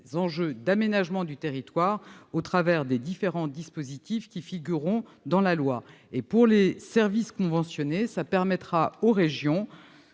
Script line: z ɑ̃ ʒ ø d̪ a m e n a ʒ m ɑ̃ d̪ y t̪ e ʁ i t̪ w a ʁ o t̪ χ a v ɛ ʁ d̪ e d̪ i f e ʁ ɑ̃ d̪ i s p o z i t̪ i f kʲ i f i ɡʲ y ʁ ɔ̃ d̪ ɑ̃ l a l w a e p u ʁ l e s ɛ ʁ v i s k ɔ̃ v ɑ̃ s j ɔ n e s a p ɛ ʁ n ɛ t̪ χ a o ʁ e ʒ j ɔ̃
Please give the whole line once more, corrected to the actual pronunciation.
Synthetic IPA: z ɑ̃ ʒ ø d̪ a m e n a ʒ m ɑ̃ d̪ y t̪ e ʁ i t̪ w a ʁ o t̪ χ a v ɛ ʁ d̪ e d̪ i f e ʁ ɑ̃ d̪ i s p o z i t̪ i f kʲ i f i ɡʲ y ʁ ɔ̃ d̪ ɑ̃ l a l w a e p u ʁ l e s ɛ ʁ v i s k ɔ̃ v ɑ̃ s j ɔ n e s a p ɛ ʁ m ɛ t̪ χ a o ʁ e ʒ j ɔ̃